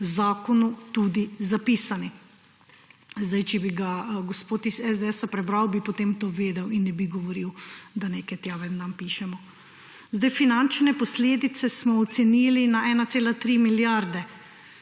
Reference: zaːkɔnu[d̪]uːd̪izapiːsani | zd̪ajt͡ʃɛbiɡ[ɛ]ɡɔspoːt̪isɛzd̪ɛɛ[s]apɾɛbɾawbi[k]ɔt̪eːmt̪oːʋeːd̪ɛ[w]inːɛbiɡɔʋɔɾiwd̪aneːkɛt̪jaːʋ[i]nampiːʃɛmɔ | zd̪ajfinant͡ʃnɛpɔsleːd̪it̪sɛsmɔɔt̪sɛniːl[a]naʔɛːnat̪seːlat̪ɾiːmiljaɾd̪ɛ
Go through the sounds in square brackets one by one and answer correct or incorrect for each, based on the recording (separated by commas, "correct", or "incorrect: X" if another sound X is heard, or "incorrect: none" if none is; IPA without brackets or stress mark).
incorrect: t̪, incorrect: a, correct, incorrect: p, correct, incorrect: ɛ, incorrect: i